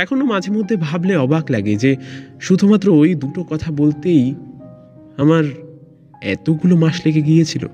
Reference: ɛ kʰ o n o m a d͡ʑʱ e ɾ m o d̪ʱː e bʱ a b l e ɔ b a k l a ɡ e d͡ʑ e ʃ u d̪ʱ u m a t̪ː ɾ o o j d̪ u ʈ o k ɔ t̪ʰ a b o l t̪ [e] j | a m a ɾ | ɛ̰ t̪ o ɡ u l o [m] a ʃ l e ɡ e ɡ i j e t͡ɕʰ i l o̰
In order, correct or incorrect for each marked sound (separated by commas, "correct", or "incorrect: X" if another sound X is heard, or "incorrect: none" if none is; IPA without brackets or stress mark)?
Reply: correct, correct